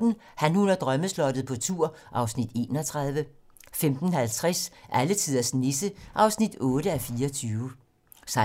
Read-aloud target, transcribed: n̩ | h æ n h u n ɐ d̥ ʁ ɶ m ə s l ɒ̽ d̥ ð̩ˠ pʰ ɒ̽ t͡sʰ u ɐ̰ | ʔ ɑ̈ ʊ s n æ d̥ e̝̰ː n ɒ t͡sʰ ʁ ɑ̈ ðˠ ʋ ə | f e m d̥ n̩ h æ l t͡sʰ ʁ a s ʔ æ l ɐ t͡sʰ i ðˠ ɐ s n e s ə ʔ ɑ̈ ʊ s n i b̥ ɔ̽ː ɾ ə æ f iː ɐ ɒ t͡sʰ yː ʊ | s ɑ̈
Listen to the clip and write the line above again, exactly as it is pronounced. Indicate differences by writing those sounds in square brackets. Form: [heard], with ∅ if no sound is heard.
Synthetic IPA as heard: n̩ | h æ n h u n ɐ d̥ ʁ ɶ m ə s l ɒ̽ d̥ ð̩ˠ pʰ ɒ̽ t͡sʰ u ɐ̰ | ʔ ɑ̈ ʊ s n [i] d̥ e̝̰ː n ɒ t͡sʰ ʁ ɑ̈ ðˠ ʋ ə | f e m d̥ n̩ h æ l t͡sʰ ʁ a s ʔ æ l [ə] t͡sʰ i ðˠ ɐ s n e s ə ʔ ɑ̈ ʊ s n i [d̥] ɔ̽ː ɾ ə æ f iː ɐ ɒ t͡sʰ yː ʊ | s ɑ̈

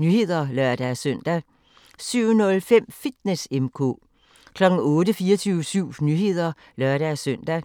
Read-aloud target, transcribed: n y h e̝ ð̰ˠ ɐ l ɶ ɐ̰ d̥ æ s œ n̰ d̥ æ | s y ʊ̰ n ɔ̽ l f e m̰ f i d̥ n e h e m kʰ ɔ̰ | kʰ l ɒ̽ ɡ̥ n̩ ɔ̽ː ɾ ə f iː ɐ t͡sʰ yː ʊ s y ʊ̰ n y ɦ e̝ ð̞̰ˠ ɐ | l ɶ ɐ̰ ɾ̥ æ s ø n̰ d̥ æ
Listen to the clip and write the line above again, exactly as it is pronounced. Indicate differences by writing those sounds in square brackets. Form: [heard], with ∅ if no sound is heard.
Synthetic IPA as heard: n y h e̝ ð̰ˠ ɐ l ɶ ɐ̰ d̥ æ s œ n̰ d̥ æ | s y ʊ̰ n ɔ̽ l f e m̰ f i d̥ n e [s] e m kʰ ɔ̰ | kʰ l ɒ̽ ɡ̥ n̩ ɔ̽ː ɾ ə f iː ɐ t͡sʰ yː ʊ s y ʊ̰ n y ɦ e̝ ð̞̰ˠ ɐ | l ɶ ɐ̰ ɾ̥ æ s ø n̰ d̥ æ

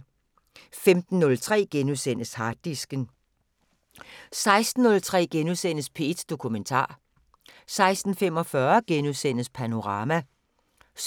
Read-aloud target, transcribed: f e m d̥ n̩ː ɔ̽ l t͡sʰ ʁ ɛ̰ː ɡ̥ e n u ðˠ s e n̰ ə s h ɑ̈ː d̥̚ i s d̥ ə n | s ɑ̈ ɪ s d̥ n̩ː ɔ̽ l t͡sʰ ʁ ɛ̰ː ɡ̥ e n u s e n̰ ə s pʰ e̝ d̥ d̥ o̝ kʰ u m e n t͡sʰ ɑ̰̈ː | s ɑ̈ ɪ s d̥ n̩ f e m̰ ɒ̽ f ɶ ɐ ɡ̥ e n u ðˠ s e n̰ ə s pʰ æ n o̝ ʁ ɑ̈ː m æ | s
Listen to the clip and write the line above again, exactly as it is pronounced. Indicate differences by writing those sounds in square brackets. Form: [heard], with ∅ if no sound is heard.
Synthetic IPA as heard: f e m d̥ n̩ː ɔ̽ l t͡sʰ ʁ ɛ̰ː ɡ̥ e n u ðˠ s e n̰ ə s h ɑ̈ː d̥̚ i s [ɡ̥] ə n | s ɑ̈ ɪ s d̥ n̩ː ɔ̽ l t͡sʰ ʁ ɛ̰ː ɡ̥ e n u s e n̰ ə s pʰ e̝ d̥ d̥ o̝ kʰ u m e n t͡sʰ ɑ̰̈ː | s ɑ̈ ɪ s d̥ n̩ f e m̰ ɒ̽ f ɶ ɐ ɡ̥ e n u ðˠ s e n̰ ə s pʰ æ n o̝ ʁ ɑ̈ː m æ | s

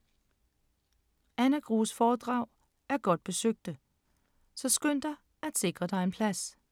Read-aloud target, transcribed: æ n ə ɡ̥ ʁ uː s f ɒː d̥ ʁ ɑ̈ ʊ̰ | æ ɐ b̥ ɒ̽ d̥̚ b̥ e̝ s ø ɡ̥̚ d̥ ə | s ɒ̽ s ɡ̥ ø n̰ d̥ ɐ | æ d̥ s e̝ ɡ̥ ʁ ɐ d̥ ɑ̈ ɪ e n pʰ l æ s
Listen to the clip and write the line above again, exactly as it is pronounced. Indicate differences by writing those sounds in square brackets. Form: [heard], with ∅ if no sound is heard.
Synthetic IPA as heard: æ n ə ɡ̥ ʁ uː s f ɒː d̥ ʁ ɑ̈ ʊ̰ | æ ɐ [ɡ̥] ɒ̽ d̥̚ b̥ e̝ s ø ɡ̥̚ d̥ ə | s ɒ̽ s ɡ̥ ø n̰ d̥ ɐ | æ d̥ s e̝ ɡ̥ ʁ ɐ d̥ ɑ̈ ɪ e n pʰ l æ s

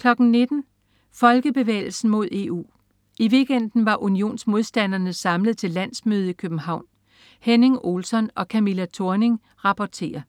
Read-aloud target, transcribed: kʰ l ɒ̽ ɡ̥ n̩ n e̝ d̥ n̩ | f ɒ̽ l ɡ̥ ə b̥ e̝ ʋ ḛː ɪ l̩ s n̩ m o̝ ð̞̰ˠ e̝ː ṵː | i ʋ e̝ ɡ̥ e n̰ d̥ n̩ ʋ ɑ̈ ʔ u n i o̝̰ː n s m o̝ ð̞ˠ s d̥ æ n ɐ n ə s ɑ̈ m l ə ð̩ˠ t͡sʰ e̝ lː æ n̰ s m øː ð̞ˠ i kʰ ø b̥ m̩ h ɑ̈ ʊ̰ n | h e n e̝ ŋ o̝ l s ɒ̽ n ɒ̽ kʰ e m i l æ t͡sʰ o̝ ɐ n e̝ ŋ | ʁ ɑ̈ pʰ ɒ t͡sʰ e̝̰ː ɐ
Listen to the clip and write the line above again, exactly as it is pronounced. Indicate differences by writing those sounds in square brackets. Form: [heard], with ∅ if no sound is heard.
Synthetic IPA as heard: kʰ l ɒ̽ ɡ̥ n̩ n e̝ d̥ n̩ | f ɒ̽ l ɡ̥ ə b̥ e̝ ʋ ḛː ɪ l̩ s n̩ m o̝ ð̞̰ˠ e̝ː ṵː | i ʋ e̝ ɡ̥ e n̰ d̥ n̩ ʋ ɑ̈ ʔ u n i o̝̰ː n s m o̝ ð̞ˠ s d̥ æ n ɐ n ə s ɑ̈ m l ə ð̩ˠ t͡sʰ e̝ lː æ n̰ s m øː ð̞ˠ i kʰ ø b̥ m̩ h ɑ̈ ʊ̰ n | h e n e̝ ŋ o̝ l s ɒ̽ n ɒ̽ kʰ [æ] m i l æ t͡sʰ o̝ ɐ n e̝ ŋ | ʁ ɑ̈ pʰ ɒ t͡sʰ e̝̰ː ɐ

